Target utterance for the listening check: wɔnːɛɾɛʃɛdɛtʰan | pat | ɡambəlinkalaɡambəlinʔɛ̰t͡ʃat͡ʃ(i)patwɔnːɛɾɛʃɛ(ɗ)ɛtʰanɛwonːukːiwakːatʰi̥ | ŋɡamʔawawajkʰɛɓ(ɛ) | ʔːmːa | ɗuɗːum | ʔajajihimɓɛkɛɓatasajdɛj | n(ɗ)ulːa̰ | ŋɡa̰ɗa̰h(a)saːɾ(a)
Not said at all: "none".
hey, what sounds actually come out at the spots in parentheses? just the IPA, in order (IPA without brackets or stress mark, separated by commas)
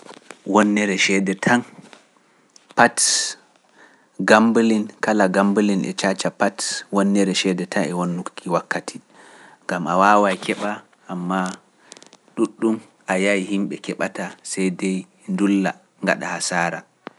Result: a, d, a, d, a, a